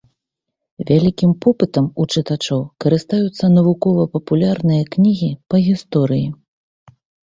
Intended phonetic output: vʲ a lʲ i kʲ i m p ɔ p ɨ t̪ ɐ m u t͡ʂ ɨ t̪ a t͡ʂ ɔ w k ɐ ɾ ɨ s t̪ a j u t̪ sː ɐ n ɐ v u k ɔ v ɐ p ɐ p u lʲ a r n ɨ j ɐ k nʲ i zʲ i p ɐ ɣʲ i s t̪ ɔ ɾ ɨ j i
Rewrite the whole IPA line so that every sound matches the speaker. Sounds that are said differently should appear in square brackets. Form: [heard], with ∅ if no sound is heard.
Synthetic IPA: vʲ a lʲ i kʲ i m p ɔ p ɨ t̪ ɐ m u t͡ʂ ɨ t̪ a t͡ʂ ɔ w k ɐ ɾ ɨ s t̪ a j u t̪ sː ɐ n ɐ v u k ɔ v ɐ p ɐ p u lʲ a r n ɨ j ɐ k nʲ i [ɣʲ] i p ɐ ɣʲ i s t̪ ɔ ɾ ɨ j i